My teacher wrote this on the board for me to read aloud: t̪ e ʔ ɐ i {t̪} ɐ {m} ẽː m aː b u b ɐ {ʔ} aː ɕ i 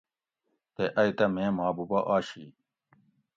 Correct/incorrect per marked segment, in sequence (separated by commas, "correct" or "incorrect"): correct, correct, correct